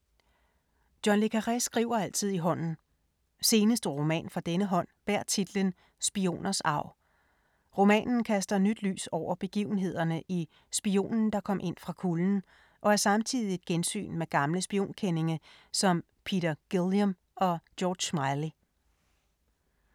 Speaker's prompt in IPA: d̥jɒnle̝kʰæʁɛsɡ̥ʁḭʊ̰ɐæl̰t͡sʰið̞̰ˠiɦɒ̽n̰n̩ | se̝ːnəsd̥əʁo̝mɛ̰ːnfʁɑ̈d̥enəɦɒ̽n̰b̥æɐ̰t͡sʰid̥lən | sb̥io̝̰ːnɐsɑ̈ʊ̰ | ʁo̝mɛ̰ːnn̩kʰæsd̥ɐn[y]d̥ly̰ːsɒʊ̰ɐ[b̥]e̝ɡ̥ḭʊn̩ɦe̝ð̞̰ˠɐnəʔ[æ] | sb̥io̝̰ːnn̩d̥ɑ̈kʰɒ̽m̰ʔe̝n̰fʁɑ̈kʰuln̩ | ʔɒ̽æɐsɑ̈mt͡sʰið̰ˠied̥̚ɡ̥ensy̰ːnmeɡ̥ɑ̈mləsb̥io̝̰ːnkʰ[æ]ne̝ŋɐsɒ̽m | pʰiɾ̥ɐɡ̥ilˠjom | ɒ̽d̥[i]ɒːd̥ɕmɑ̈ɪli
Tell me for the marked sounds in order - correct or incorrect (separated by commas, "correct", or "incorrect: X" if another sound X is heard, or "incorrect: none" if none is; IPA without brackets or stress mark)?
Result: correct, correct, incorrect: i, incorrect: e, incorrect: j